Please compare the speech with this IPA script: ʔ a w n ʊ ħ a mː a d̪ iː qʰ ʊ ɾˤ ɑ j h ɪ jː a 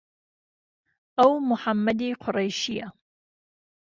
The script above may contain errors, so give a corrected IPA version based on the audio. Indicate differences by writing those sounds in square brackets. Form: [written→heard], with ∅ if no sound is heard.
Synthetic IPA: ʔ a w [n→m] ʊ ħ a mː a d̪ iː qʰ ʊ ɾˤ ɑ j [h→ʃ] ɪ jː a